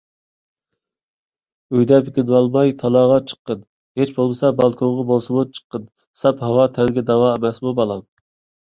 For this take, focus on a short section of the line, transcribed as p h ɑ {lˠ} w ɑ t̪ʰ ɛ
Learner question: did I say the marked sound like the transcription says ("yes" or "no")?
no